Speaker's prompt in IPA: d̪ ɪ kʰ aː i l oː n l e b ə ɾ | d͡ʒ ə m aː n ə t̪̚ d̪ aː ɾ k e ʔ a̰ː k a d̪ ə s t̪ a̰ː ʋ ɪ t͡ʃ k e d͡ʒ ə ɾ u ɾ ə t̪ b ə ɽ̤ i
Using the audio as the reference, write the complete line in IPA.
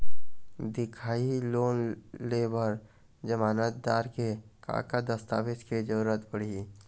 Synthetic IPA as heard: d̪ ɪ kʰ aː i l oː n l e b ə ɾ | d͡ʒ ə m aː n ə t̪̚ d̪ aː ɾ k e k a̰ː k a d̪ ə s t̪ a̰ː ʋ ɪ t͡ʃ k e d͡ʒ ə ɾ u ɾ ə t̪ b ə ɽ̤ i